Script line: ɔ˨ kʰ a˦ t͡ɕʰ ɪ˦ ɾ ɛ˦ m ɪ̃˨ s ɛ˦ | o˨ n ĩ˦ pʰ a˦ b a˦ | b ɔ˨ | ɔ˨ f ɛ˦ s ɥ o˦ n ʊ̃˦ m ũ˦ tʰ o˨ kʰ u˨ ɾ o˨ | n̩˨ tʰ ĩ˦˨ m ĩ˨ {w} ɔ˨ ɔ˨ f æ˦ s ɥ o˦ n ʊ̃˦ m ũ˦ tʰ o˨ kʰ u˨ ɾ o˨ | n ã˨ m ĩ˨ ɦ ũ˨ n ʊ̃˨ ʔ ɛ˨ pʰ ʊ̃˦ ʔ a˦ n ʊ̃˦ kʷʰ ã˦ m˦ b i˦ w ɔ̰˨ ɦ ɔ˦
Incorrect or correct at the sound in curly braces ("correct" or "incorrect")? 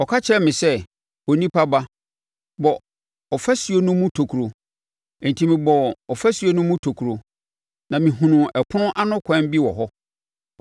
incorrect